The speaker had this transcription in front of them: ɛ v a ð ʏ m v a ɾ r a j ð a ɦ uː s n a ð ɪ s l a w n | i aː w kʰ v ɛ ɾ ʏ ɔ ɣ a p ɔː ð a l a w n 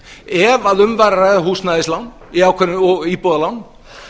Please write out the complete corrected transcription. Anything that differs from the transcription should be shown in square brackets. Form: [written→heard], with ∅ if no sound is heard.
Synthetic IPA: ɛ v a ð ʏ m v a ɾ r a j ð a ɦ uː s n a ð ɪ s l a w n | i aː w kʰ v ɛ ɾ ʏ ɔ ɣ [a→i] p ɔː ð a l a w n